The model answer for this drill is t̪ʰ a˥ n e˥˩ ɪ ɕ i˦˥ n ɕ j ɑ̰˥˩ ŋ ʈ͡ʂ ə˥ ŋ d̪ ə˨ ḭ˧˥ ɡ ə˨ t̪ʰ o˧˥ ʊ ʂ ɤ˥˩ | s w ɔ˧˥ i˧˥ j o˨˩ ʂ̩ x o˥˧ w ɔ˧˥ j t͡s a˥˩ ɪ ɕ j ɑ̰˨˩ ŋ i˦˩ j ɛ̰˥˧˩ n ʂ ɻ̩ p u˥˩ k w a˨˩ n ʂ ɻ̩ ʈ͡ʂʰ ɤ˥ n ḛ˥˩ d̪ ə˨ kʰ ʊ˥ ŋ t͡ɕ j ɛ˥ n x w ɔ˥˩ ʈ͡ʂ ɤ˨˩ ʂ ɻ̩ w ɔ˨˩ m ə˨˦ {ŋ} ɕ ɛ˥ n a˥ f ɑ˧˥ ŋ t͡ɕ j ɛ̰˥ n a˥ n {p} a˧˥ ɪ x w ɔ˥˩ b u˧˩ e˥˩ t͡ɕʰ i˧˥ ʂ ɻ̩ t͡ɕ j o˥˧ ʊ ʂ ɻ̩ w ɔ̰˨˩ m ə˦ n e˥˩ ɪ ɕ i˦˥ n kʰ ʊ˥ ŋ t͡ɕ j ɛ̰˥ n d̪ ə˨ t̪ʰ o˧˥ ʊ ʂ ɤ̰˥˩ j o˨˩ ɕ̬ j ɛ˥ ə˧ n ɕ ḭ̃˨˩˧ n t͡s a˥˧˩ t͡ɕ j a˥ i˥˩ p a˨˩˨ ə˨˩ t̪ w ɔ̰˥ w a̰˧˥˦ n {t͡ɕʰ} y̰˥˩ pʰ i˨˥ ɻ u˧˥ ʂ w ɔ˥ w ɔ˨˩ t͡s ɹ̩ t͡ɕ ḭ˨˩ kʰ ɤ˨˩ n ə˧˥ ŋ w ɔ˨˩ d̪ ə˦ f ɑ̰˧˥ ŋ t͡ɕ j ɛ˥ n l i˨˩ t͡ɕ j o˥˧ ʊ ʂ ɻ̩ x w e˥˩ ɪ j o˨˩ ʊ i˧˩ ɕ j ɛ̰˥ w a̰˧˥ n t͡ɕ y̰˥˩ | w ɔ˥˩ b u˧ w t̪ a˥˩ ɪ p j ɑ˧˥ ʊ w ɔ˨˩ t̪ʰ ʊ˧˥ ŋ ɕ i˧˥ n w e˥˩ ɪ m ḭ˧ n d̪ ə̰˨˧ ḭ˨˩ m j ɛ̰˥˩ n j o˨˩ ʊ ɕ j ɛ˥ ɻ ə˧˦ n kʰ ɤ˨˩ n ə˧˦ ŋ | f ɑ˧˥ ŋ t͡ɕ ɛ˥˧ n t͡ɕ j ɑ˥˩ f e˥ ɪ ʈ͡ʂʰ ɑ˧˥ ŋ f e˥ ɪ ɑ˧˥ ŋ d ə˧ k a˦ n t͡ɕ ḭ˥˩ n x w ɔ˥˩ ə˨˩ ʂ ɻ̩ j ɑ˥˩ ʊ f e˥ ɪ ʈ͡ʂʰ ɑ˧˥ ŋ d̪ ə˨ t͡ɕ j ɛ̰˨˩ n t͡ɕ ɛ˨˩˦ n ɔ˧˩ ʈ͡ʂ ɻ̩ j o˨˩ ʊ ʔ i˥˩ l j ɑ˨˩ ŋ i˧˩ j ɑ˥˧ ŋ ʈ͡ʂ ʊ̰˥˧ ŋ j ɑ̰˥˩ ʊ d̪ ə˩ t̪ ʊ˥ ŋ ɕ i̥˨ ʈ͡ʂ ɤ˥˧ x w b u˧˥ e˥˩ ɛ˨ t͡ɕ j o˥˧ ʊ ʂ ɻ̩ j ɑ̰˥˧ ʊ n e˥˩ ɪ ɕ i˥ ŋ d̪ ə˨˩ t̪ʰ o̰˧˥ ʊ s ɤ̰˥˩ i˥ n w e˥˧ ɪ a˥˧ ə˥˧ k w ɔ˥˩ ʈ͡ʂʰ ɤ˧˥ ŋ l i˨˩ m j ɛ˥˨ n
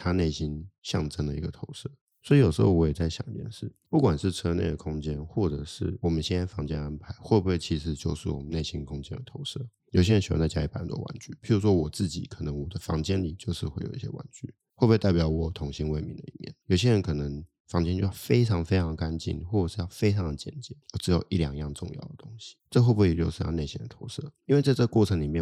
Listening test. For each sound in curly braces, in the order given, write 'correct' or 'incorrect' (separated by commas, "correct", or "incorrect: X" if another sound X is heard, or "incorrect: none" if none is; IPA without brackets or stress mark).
incorrect: n, incorrect: pʰ, incorrect: t͡ɕ